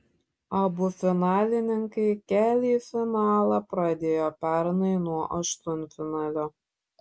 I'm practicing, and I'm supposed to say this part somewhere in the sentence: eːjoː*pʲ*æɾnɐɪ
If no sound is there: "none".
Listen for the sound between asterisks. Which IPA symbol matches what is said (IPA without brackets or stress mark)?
pʲ